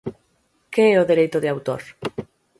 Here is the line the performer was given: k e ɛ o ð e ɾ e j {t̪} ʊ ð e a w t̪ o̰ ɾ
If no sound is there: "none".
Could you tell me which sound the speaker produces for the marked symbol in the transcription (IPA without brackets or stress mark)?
t̪